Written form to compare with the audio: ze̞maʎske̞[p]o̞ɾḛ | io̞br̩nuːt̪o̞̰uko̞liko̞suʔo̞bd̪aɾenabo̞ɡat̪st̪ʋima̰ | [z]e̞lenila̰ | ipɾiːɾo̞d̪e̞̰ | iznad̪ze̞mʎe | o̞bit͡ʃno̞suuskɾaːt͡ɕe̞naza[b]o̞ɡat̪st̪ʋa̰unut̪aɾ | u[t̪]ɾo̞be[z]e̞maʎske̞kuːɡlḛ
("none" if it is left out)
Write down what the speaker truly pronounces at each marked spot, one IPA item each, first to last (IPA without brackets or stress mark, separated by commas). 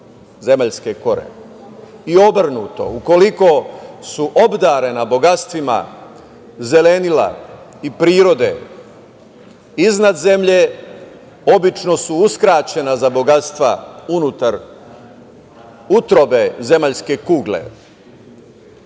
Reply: k, z, b, t̪, z